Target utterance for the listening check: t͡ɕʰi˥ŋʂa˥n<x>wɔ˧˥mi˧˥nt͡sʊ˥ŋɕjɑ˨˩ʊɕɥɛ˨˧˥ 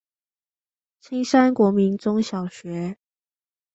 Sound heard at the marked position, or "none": k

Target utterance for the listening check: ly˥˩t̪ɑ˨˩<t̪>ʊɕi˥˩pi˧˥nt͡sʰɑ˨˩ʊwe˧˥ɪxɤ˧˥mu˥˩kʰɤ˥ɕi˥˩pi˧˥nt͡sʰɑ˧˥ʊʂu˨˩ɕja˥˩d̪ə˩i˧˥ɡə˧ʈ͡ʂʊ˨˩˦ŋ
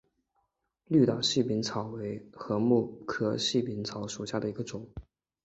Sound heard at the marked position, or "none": none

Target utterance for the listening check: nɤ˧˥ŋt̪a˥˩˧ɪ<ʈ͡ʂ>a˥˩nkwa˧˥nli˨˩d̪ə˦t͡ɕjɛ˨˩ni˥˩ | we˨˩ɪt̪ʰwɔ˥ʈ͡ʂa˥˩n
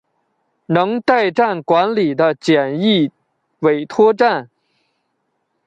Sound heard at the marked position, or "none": ʈ͡ʂ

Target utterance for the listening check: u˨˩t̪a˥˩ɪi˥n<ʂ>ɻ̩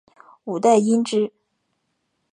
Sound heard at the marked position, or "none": ʈ͡ʂ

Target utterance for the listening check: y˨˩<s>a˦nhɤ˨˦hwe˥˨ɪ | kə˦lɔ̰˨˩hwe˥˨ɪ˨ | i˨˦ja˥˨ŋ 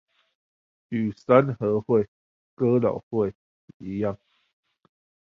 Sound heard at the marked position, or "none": s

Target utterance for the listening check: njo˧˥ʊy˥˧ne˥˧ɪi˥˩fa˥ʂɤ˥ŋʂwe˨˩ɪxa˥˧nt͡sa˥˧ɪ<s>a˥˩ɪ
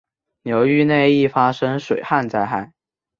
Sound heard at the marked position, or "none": x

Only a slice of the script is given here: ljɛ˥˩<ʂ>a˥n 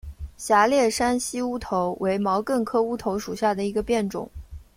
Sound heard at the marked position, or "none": ʂ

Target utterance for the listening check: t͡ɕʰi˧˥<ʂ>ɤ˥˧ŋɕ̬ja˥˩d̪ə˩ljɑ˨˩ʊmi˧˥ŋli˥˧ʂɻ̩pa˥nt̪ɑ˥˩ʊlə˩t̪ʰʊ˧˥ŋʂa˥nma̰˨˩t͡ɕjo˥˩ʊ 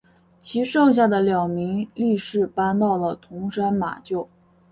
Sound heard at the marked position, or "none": ʂ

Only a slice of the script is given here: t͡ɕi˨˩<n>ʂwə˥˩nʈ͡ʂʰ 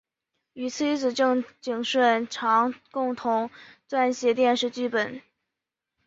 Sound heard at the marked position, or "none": ŋ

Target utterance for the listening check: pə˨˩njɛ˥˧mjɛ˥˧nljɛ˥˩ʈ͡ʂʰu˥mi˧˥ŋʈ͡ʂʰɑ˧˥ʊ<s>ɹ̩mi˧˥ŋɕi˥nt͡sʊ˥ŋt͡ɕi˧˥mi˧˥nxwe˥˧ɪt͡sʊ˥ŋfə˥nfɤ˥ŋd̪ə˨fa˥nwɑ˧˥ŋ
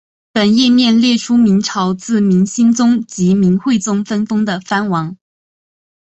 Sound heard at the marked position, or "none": t͡s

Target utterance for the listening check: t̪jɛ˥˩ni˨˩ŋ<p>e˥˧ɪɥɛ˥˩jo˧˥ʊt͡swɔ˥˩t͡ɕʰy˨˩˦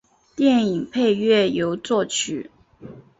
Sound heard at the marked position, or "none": pʰ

